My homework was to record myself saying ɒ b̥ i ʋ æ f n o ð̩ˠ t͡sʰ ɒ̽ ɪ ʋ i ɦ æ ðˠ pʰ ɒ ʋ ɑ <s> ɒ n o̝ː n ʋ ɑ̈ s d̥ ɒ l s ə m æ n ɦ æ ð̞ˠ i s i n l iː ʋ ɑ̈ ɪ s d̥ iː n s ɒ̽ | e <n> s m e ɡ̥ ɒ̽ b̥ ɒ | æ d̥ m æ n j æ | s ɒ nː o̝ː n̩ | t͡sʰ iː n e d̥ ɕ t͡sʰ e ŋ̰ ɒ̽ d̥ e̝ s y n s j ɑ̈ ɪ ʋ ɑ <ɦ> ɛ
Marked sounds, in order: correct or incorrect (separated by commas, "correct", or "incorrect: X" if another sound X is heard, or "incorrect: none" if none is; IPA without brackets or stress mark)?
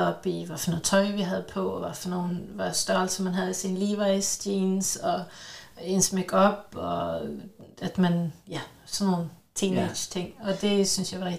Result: incorrect: f, correct, incorrect: none